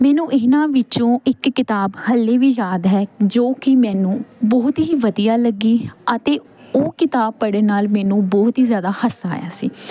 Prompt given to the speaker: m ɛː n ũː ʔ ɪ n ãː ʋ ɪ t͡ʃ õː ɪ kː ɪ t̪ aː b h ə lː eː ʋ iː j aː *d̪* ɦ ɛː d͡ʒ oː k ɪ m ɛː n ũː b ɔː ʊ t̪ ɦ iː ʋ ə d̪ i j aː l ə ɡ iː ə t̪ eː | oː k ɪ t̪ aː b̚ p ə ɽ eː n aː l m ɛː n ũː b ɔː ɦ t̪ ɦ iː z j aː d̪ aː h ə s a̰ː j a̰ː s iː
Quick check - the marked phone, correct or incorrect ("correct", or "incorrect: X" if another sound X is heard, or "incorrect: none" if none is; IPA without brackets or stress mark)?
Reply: correct